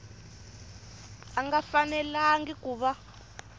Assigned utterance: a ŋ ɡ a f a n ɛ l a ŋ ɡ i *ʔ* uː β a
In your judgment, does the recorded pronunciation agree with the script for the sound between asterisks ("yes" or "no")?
no